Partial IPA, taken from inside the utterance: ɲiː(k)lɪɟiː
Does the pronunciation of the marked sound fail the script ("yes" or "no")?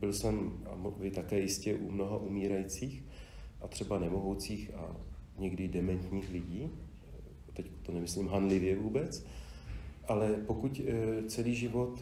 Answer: yes